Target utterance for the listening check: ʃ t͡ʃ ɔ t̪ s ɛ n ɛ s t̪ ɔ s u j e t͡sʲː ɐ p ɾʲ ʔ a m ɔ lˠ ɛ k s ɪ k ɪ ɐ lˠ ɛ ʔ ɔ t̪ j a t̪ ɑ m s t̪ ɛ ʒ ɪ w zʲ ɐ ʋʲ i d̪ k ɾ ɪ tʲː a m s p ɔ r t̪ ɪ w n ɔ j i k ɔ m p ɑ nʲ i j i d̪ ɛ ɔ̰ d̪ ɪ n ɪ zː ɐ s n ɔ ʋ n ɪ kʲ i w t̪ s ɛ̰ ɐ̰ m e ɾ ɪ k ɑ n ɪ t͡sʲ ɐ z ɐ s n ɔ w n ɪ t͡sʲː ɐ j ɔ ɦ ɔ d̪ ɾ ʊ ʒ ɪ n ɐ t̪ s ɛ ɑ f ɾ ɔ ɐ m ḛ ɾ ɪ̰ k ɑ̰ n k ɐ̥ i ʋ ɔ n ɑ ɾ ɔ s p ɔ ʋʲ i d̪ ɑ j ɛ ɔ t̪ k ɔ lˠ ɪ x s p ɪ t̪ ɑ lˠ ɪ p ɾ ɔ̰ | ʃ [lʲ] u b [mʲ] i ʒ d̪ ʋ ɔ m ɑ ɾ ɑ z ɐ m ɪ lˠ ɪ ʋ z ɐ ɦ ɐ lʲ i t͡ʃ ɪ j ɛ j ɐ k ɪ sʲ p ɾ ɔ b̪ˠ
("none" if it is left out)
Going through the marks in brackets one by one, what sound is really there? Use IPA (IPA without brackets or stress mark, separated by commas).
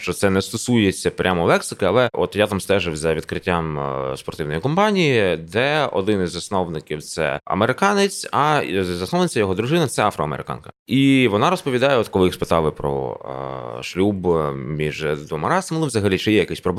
lʲ, mʲ